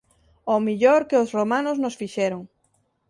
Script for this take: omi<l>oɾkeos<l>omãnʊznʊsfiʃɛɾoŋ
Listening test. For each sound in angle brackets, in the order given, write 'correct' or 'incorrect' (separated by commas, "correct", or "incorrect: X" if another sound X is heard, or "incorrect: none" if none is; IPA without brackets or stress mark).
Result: incorrect: ʎ, incorrect: r